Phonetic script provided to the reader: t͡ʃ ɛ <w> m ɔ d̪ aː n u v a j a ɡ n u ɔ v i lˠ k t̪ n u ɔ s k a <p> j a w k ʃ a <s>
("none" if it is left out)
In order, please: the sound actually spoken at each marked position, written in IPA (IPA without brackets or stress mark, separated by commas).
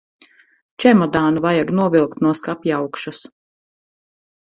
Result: none, p, s